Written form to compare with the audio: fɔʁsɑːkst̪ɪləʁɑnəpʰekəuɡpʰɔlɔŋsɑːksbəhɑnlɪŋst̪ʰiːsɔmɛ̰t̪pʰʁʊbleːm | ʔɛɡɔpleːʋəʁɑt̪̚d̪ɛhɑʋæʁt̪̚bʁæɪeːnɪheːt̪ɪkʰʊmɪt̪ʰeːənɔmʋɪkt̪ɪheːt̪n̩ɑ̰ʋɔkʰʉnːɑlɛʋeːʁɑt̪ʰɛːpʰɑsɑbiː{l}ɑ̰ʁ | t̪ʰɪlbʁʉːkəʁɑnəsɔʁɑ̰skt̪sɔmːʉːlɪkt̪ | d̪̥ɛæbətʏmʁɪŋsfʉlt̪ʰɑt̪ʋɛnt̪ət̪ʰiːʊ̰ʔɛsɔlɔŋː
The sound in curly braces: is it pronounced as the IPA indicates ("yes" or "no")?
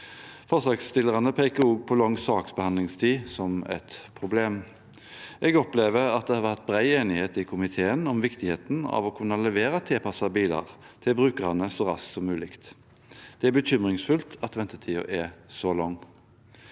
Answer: yes